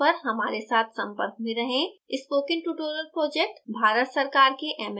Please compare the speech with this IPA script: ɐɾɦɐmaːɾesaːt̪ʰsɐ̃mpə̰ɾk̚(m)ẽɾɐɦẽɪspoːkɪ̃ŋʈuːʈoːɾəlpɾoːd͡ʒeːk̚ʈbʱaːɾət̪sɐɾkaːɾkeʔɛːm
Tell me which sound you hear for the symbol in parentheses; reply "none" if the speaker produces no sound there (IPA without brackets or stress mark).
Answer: m